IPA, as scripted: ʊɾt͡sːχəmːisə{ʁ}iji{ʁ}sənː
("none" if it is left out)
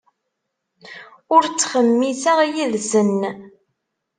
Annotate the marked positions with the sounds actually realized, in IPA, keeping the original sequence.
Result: ʁ, ð

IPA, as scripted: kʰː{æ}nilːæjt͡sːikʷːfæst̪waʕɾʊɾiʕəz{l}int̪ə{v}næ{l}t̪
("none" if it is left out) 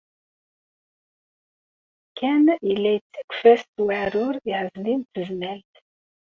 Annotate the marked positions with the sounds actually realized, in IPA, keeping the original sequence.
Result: æ, l, z, l

